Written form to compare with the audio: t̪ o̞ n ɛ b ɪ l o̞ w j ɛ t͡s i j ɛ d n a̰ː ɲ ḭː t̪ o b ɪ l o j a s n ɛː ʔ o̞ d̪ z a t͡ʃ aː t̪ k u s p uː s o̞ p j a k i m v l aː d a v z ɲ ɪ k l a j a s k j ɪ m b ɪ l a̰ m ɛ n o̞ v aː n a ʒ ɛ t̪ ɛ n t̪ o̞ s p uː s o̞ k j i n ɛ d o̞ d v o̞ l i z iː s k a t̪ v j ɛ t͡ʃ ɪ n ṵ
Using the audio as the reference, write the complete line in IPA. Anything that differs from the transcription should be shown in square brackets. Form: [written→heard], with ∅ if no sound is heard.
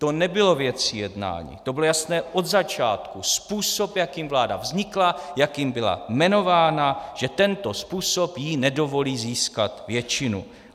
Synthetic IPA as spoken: t̪ o̞ n ɛ b ɪ l o̞ [w→v] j ɛ t͡s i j ɛ d n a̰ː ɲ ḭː t̪ o b ɪ l o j a s n ɛː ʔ o̞ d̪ z a t͡ʃ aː t̪ k u s p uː s o̞ p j a k i m v l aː d a v z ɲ ɪ k l a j a [s→∅] k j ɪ m b ɪ l a̰ m ɛ n o̞ v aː n a ʒ ɛ t̪ ɛ n t̪ o̞ s p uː s o̞ [k→p] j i n ɛ d o̞ [d→∅] v o̞ l [i→iː] z iː s k a t̪ v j ɛ t͡ʃ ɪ n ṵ